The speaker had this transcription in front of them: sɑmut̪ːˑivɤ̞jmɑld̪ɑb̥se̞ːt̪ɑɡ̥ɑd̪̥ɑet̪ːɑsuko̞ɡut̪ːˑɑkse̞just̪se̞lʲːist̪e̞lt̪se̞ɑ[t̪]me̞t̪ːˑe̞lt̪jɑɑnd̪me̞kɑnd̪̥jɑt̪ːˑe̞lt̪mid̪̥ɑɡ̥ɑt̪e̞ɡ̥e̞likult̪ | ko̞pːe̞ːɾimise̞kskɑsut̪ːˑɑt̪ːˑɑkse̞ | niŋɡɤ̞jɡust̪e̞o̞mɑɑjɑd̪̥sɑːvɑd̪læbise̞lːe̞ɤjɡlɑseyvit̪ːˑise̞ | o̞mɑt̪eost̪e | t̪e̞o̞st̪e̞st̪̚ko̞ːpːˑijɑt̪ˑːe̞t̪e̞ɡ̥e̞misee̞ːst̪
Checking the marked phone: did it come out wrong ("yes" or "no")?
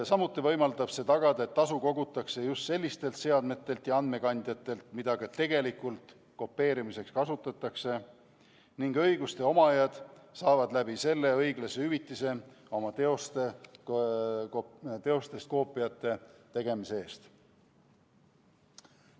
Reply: yes